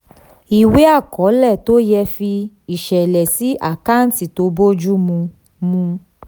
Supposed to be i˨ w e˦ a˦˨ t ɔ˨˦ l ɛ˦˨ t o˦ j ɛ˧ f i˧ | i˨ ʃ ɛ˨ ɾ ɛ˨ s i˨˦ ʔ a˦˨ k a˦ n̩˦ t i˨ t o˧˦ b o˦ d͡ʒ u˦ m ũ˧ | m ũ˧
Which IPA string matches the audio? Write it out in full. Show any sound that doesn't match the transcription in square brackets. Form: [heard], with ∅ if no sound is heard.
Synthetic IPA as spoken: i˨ w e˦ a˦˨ [k] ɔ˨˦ l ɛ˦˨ t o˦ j ɛ˧ f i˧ | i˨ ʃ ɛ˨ [l] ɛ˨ s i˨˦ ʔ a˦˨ k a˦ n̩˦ t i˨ t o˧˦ b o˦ d͡ʒ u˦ m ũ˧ | m ũ˧